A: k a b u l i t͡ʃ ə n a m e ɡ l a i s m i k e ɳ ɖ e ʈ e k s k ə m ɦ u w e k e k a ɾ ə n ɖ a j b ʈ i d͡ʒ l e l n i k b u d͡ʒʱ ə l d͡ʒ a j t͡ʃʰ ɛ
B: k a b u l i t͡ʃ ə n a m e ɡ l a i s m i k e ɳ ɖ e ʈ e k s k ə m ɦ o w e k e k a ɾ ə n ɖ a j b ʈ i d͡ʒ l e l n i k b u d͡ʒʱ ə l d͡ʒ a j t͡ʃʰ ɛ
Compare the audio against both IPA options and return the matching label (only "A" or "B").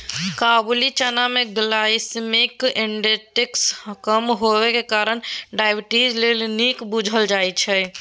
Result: B